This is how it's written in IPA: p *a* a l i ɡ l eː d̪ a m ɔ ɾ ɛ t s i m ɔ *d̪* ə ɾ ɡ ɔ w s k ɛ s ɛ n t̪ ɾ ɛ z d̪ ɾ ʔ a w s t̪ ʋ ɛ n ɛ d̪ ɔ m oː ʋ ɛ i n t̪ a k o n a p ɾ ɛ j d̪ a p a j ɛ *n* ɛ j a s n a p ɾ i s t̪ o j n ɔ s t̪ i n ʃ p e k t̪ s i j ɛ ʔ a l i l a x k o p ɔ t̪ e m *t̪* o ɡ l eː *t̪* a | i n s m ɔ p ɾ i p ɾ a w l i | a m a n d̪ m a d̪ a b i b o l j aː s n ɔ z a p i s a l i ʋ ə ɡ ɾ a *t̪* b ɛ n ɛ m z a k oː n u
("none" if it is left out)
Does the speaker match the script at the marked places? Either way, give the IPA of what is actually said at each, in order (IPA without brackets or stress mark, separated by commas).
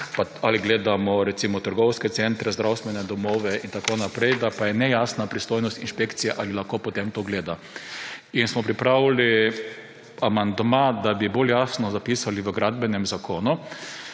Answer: a, t̪, n, t̪, d̪, d̪